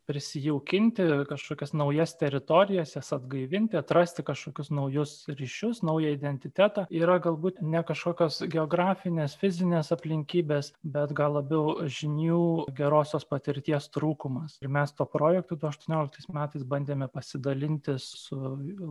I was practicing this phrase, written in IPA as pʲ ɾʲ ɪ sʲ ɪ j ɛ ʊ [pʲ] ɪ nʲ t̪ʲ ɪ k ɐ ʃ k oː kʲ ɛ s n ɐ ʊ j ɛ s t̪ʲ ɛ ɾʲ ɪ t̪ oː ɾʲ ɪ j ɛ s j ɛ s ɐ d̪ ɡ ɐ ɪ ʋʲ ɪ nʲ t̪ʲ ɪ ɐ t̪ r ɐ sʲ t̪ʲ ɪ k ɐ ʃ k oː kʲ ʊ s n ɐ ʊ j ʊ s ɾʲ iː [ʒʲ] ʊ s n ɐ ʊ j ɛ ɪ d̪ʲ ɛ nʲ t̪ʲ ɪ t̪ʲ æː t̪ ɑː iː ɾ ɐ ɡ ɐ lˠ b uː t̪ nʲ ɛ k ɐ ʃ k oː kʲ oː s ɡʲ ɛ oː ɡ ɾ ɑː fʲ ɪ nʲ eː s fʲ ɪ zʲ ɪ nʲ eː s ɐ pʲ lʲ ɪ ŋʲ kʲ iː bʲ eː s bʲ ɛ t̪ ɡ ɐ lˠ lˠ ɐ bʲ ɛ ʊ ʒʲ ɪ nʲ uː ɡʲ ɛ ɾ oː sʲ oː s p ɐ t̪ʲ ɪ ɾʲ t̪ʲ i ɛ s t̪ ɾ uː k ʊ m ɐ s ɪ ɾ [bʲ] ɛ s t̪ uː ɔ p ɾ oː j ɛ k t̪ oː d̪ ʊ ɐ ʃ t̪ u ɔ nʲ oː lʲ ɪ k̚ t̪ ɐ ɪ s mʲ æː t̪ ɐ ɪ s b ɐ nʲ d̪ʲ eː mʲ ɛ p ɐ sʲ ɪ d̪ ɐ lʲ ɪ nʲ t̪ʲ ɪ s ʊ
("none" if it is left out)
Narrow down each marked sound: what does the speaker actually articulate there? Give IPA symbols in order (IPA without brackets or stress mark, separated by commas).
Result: kʲ, ʃʲ, mʲ